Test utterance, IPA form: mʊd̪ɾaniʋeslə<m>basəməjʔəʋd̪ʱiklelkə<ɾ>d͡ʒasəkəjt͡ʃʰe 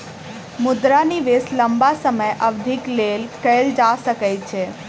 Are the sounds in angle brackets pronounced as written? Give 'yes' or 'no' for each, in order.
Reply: yes, no

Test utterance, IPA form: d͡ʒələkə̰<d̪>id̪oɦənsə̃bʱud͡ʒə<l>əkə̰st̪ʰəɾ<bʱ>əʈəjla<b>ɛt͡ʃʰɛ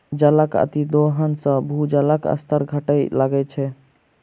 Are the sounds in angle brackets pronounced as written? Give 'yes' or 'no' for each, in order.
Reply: no, yes, no, no

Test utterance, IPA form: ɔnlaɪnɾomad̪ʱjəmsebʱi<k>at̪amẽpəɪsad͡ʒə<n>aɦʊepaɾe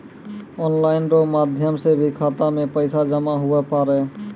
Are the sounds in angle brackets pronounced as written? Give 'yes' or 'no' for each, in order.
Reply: no, no

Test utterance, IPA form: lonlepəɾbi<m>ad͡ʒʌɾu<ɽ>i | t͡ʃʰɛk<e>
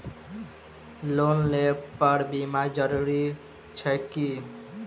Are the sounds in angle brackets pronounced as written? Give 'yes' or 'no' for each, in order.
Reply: yes, no, no

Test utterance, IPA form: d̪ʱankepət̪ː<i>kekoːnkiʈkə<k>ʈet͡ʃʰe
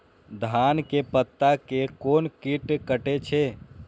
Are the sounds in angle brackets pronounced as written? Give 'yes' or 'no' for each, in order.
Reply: no, no

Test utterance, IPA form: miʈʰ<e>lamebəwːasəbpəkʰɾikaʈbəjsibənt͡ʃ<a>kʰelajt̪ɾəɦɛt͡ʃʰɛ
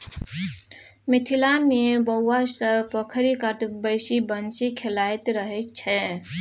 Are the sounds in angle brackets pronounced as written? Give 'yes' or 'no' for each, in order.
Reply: no, no

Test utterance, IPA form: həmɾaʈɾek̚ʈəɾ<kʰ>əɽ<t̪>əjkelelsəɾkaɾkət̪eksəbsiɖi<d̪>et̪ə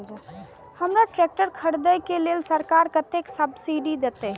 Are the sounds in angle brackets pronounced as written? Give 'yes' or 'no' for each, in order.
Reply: yes, no, yes

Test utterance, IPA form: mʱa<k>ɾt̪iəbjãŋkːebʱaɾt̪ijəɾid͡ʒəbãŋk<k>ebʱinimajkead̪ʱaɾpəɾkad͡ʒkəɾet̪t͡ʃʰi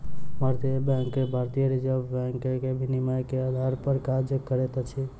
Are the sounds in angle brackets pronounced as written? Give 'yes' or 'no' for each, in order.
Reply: no, yes

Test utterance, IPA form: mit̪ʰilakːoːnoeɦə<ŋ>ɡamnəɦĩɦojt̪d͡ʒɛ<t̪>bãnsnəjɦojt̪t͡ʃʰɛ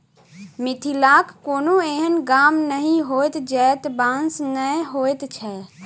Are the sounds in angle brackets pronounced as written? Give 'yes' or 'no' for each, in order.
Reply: no, yes

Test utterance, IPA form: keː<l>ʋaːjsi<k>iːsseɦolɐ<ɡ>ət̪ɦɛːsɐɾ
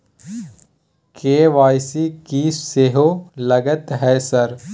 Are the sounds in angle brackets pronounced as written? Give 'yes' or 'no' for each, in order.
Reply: no, yes, yes

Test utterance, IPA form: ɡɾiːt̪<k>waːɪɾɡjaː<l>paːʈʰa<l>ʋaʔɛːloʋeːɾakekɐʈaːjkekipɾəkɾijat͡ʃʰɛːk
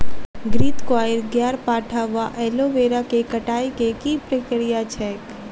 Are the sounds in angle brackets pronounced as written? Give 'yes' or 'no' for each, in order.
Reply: yes, no, no

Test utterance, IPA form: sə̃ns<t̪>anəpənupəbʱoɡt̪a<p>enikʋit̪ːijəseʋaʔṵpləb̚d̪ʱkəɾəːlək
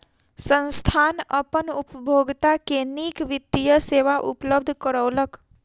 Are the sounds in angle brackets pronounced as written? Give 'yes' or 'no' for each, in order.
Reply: no, no

